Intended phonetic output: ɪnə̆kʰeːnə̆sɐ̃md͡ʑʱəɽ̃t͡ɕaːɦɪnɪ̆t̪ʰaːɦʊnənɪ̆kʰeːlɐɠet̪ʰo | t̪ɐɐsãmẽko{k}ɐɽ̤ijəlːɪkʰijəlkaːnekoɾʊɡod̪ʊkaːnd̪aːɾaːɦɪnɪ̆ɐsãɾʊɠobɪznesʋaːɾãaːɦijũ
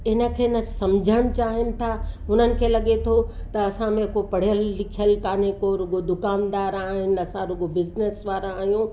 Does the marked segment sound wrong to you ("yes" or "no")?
yes